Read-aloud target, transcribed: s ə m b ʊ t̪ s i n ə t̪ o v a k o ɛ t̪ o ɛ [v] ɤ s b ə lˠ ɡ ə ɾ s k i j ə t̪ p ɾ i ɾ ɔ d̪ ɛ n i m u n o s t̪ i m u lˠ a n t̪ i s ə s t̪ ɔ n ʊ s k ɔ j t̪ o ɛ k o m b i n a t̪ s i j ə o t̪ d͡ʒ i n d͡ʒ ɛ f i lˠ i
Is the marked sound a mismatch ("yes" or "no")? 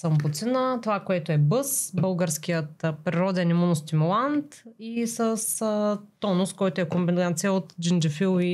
yes